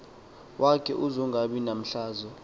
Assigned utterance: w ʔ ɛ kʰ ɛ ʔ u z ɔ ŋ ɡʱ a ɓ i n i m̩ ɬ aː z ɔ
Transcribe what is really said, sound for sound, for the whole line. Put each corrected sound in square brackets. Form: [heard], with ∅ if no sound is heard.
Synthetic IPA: w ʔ [a] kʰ ɛ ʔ u z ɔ ŋ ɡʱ a ɓ i n [a] m̩ ɬ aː z ɔ

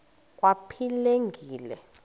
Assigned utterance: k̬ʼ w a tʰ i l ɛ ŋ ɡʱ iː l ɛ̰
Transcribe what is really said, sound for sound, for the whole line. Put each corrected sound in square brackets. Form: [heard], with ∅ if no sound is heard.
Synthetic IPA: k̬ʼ w a [pʰ] i l [e] ŋ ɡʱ iː l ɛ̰

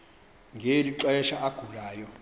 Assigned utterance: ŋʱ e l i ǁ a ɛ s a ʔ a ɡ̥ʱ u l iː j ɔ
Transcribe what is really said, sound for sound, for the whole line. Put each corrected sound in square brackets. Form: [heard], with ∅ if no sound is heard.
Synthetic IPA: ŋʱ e l i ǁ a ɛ [ʃ] a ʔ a ɡ̥ʱ u l [aː] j ɔ

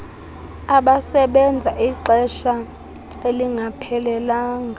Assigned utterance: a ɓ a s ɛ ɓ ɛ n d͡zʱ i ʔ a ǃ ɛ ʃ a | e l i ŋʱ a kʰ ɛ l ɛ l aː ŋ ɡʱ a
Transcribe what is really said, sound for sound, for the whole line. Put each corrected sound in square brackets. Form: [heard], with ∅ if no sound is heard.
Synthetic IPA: a ɓ a s ɛ ɓ ɛ n d͡zʱ [a] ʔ [i] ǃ ɛ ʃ a | e l i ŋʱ a [pʰ] ɛ l ɛ l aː ŋ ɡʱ a

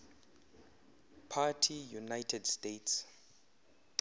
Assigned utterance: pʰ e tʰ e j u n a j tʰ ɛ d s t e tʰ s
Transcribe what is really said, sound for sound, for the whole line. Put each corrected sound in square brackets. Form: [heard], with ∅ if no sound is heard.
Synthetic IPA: pʰ [a] tʰ [i] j u n a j tʰ ɛ d s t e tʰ s

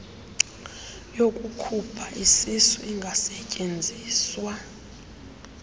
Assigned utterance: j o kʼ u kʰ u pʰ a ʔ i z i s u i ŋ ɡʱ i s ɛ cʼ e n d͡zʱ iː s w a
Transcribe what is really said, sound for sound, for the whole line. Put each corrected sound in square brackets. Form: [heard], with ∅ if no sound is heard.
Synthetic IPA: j o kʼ u kʰ u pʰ a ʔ i [s] i s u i ŋ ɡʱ [a] s ɛ cʼ e n d͡zʱ iː s w a

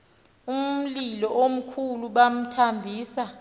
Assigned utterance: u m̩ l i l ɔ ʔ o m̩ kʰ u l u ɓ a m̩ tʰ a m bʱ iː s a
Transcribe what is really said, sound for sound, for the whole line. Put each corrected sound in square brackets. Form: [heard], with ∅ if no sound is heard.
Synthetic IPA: u m̩ l i l ɔ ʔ o m̩ kʰ u l u ɓ a m̩ tʰ a m bʱ iː s a

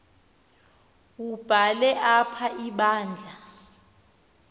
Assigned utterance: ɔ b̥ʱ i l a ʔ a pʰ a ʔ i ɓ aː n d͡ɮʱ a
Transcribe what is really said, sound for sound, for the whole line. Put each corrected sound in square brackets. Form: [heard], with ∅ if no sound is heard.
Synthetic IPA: [u] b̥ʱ [a] l [ɛ] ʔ a pʰ a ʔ i ɓ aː n d͡ɮʱ a

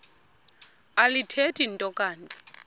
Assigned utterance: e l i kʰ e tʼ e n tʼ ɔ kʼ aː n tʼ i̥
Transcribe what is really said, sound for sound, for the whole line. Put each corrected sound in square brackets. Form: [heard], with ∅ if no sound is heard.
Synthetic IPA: [a] l i [tʰ] e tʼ [i] n tʼ ɔ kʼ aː n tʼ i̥

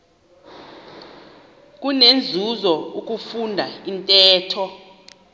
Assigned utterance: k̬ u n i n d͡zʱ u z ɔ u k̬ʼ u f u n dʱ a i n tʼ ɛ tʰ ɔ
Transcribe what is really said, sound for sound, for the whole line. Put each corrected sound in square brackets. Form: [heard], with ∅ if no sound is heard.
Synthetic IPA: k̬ u n [e] n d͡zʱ u z ɔ u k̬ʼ u f u n dʱ a i n tʼ [ɛː] tʰ ɔ

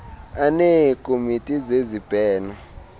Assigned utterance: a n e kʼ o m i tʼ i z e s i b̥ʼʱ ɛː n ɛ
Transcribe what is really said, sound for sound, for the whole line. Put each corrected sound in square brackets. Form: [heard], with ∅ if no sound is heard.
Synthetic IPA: a n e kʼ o m i tʼ i z e [z] i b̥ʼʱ ɛː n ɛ

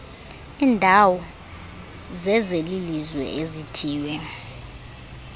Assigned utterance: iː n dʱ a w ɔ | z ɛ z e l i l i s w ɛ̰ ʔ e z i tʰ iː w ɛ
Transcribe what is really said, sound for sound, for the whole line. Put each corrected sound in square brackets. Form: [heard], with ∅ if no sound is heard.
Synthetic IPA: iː n dʱ a w ɔ | z ɛ z e l i l i [z] w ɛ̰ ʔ e z i tʰ iː w ɛ

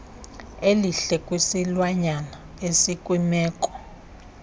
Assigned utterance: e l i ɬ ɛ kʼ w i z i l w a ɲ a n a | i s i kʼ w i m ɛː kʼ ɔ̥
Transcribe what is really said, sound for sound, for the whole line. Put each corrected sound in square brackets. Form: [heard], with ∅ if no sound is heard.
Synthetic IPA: e l i ɬ ɛ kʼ w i [s] i l w a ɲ a n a | [e] s i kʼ w i m ɛː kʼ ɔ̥

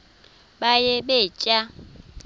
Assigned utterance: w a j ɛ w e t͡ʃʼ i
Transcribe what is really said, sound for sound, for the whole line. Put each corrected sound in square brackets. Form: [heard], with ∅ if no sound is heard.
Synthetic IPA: [b] a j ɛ [b] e t͡ʃʼ [a]

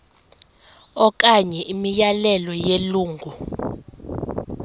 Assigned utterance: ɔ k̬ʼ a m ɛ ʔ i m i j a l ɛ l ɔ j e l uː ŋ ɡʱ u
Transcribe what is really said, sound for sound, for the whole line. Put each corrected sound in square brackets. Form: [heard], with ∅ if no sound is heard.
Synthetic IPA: ɔ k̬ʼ a [ɲ] ɛ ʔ i m i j a l ɛ l ɔ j e l uː ŋ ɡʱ u

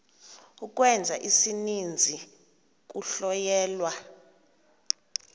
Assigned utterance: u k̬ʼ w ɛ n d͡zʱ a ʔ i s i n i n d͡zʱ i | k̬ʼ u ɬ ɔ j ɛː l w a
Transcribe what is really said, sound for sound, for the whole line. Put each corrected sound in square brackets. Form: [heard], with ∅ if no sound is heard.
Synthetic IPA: u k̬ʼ w ɛ n d͡zʱ a ʔ i s i n i n d͡zʱ i | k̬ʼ u ɬ ɔ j ɛː l w a

